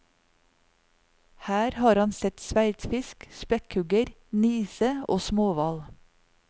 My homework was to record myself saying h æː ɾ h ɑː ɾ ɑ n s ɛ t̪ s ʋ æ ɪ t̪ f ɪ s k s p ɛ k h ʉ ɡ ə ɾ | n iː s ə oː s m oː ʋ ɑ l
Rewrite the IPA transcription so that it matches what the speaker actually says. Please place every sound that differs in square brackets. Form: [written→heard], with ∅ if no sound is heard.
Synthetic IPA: h æː ɾ h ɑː ɾ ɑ n s ɛ t̪ s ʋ æ ɪ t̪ f ɪ s k s p ɛ k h ʉ ɡ ə ɾ | n iː s ə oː s m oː ʋ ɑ l